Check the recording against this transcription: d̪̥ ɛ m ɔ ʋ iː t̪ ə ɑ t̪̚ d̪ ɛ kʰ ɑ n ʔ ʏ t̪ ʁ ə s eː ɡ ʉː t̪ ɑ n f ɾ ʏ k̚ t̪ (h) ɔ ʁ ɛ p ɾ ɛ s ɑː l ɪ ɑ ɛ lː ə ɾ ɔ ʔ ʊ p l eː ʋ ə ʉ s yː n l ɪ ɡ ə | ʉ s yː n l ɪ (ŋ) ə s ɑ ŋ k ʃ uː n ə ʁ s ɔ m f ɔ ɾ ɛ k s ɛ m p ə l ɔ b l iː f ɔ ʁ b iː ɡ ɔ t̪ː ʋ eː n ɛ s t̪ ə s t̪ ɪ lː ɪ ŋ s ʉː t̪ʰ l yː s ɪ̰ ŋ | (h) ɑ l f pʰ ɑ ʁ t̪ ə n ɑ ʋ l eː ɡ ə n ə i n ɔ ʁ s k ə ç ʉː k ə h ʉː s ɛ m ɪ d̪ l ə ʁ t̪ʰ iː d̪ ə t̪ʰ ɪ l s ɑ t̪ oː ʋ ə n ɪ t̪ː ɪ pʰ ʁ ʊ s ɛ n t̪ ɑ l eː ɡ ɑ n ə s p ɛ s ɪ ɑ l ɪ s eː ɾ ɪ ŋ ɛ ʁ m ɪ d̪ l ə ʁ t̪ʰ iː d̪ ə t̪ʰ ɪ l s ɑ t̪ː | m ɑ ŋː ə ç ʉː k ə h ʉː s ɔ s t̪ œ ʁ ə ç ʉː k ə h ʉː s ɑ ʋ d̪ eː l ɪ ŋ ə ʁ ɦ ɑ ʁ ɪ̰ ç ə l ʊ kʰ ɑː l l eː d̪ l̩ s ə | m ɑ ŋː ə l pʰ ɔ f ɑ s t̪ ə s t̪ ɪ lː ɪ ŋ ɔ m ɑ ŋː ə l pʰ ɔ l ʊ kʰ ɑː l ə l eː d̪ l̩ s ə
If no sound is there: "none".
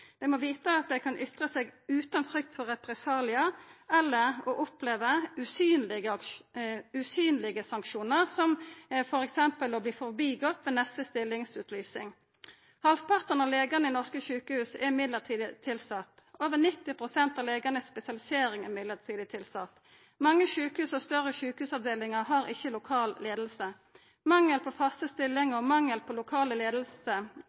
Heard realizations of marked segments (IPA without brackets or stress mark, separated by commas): f, ɡ, h